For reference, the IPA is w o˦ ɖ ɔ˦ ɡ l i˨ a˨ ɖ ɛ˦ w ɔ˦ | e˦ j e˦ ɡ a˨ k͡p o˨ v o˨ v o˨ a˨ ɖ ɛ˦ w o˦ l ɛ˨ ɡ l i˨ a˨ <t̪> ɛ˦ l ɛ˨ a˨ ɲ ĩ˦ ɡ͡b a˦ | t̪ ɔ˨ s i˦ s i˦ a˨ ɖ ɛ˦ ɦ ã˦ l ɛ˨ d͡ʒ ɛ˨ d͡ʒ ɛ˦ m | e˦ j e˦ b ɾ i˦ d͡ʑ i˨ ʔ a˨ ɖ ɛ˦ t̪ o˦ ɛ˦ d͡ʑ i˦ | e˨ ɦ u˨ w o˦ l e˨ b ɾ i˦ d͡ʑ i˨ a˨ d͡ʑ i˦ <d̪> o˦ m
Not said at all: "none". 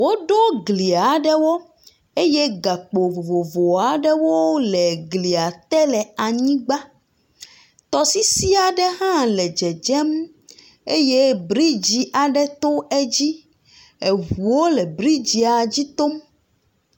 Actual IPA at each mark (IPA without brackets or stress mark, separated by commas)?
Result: t̪, t̪